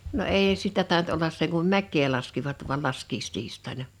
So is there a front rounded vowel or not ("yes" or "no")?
no